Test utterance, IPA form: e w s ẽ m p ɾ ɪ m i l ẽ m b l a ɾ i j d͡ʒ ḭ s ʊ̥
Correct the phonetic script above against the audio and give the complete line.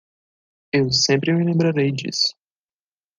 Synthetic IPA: e w s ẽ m p ɾ ɪ m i l ẽ m b ɾ a ɾ e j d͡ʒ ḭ s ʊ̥